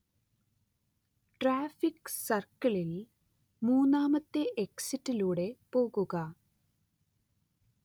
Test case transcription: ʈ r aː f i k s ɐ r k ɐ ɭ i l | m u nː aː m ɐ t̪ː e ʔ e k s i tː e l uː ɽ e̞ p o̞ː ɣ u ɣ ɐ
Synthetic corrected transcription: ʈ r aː f i k s ɐ r k ɐ ɭ i l | m uː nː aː m ɐ t̪ː e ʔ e k s i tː i l uː ɽ e̞ p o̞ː ɣ u ɣ ɐ

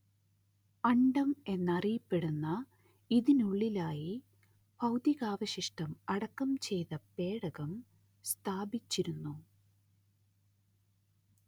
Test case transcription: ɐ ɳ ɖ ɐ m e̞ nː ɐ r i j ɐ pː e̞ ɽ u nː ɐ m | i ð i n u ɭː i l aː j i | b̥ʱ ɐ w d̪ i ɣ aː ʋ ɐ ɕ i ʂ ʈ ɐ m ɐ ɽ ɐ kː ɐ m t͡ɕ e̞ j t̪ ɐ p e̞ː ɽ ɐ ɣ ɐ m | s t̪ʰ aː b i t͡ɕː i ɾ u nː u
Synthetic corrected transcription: ɐ ɳ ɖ ɐ m e̞ nː ɐ r i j ɐ pː e̞ ɽ u nː ɐ | i ð i n u ɭː i l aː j i | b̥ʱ ɐ w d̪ i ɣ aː ʋ ɐ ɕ i ʂ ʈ ɐ m ɐ ɽ ɐ kː ɐ m t͡ɕ e̞ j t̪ ɐ p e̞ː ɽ ɐ ɣ ɐ m | s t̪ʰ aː b i t͡ɕː i ɾ u nː u

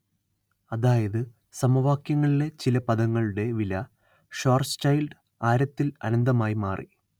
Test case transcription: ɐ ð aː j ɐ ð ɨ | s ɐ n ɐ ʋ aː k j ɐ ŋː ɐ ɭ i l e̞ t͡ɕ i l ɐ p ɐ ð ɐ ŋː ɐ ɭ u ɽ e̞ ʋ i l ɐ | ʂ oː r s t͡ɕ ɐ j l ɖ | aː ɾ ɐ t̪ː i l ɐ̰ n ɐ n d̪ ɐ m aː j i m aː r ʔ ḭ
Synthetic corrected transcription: ɐ ð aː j ɐ ð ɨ | s ɐ m ɐ ʋ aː k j ɐ ŋː ɐ ɭ i l e̞ t͡ɕ i l ɐ p ɐ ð ɐ ŋː ɐ ɭ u ɽ e̞ ʋ i l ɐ | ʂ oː r s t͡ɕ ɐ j l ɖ | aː ɾ ɐ t̪ː i l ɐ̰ n ɐ n d̪ ɐ m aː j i m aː r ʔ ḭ

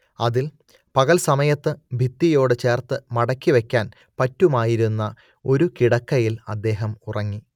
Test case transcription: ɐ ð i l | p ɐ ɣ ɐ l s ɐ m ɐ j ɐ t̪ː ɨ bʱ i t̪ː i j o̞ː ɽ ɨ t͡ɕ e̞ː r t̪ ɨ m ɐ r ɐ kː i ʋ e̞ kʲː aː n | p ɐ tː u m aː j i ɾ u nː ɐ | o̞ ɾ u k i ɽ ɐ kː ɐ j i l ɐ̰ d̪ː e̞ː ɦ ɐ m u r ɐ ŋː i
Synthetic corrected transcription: ɐ ð i l | p ɐ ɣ ɐ l s ɐ m ɐ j ɐ t̪ː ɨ bʱ i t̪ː i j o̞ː ɽ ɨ t͡ɕ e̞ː r t̪ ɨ m ɐ ɽ ɐ kː i ʋ e̞ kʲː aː n | p ɐ tː u m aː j i ɾ u nː ɐ | o̞ ɾ u k i ɽ ɐ kː ɐ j i l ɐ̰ d̪ː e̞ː ɦ ɐ m u r ɐ ŋː i

